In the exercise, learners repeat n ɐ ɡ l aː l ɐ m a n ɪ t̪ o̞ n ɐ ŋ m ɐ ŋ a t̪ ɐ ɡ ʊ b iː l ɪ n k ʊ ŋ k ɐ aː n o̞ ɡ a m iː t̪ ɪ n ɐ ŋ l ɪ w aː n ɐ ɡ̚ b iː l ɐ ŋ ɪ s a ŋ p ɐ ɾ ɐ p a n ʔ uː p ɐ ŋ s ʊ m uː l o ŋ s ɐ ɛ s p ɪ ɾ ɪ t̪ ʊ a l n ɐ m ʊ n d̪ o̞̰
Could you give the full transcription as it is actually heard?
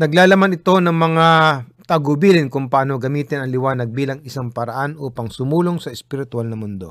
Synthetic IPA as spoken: n ɐ ɡ l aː l ɐ m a n ɪ t̪ o̞ n ɐ ŋ m ɐ ŋ a t̪ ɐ ɡ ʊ b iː l ɪ n k ʊ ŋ p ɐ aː n o̞ ɡ ɐ m iː t̪ ɪ n ɐ ŋ l ɪ w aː n ɐ ɡ̚ b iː l ɐ ŋ ɪ s a ŋ p ɐ ɾ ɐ ʔ a n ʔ uː p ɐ ŋ s ʊ m uː l o ŋ s ɐ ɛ s p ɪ ɾ ɪ t̪ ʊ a l n ɐ m ʊ n d̪ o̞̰